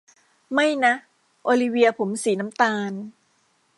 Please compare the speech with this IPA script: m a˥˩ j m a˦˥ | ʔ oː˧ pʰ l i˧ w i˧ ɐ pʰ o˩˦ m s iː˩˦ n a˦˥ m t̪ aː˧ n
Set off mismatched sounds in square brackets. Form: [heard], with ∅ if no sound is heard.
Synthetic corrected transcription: m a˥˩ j [n] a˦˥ | ʔ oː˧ [∅] l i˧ w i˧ ɐ pʰ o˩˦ m s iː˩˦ n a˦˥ m t̪ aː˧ n